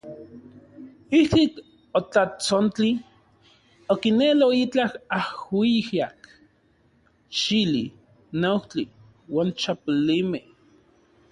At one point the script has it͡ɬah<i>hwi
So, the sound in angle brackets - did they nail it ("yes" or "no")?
no